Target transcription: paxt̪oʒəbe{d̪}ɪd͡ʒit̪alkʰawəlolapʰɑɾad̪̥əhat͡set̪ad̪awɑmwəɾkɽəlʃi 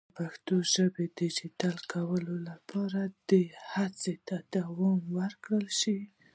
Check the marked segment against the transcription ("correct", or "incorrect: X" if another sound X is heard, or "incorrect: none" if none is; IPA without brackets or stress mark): correct